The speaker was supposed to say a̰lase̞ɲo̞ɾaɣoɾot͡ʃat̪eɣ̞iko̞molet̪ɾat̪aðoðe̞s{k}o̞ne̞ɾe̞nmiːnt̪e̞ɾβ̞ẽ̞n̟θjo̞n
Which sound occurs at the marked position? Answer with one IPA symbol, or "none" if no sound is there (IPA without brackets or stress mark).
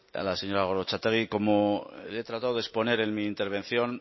p